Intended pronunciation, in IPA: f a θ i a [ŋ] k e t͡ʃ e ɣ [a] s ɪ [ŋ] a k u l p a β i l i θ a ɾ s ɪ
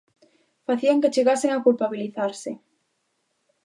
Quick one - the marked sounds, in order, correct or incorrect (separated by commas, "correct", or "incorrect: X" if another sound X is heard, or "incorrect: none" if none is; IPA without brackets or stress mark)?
correct, correct, correct